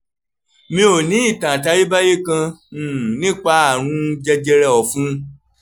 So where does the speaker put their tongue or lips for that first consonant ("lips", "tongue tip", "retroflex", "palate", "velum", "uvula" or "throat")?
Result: lips